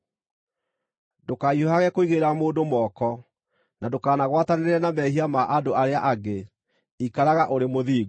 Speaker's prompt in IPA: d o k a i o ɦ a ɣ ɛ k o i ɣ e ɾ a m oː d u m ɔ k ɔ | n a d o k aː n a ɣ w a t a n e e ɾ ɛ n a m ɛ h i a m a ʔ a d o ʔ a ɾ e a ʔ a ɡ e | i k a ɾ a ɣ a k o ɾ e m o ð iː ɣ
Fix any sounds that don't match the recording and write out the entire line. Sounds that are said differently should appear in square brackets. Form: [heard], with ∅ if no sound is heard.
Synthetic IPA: d o k a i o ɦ a ɣ ɛ k o i ɣ e ɾ a m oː d [o] m ɔ k ɔ | n a d o k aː n a ɣ w a t a n e e ɾ ɛ n a m ɛ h i a m a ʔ a d o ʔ a ɾ e a ʔ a ɡ e | i k a ɾ a ɣ a [ʔ] o ɾ e m o ð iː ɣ